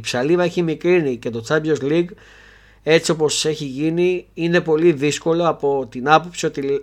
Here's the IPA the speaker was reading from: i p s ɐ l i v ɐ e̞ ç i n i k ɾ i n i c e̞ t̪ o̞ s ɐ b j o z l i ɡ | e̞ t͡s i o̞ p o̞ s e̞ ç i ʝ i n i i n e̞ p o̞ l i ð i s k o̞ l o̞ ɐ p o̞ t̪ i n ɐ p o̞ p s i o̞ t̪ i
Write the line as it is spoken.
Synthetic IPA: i p s ɐ l i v ɐ e̞ ç i m i k ɾ i n i c e̞ t̪ o̞ t͡s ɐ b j o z l i ɡ | e̞ t͡s i o̞ p o̞ s e̞ ç i ʝ i n i i n e̞ p o̞ l i ð i s k o̞ l o̞ ɐ p o̞ t̪ i n ɐ p o̞ p s i o̞ t̪ i